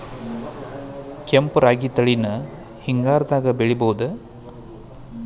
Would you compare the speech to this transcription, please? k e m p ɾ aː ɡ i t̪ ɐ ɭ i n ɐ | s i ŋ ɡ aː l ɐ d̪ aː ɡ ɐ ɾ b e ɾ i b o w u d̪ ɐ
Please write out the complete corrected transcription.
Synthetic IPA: k e m p ɾ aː ɡ i t̪ ɐ ɭ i n ɐ | h i ŋ ɡ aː ɾ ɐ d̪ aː ɡ ɐ b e ɭ i b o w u d̪ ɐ